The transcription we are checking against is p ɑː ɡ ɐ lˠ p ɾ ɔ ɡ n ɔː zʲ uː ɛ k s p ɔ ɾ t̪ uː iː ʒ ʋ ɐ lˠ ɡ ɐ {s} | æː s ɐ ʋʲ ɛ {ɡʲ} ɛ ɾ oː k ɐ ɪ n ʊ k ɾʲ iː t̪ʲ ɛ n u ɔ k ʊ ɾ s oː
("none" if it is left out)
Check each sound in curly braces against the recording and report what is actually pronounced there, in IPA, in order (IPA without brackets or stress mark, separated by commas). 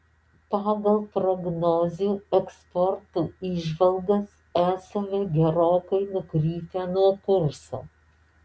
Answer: s, ɡʲ